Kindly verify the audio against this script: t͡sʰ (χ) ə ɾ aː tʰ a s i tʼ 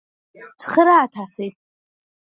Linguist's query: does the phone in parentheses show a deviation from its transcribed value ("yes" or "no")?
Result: no